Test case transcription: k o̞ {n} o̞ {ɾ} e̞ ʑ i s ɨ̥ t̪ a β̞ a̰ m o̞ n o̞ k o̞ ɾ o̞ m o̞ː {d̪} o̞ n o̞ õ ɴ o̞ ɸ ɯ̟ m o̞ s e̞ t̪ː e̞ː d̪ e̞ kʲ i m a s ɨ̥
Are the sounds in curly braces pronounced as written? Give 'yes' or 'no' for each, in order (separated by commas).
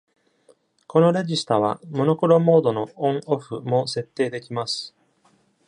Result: yes, yes, yes